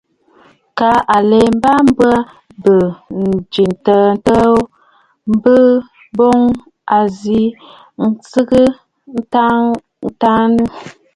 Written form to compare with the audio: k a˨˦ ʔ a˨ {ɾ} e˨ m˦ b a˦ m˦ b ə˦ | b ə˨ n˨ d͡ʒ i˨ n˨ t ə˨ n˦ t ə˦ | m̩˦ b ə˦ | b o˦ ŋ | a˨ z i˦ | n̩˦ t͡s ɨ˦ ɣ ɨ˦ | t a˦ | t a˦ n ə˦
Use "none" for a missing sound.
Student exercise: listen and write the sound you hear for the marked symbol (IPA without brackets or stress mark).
l